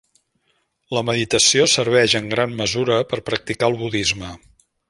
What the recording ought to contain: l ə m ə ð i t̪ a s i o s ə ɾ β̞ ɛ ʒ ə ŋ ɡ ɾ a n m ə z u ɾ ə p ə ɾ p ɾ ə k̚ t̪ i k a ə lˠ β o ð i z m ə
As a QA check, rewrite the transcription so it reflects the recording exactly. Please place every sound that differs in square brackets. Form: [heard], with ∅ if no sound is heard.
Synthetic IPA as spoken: l ə m ə ð i t̪ [ə] s i o s ə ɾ β̞ ɛ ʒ ə ŋ ɡ ɾ a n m ə z u ɾ ə p ə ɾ p ɾ ə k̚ t̪ i k a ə lˠ β [u] ð i z m ə